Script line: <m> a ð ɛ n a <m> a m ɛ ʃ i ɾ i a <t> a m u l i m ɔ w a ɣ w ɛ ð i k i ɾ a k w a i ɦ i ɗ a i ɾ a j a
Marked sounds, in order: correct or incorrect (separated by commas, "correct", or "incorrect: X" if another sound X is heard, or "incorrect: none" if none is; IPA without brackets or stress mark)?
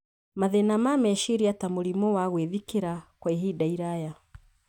correct, correct, correct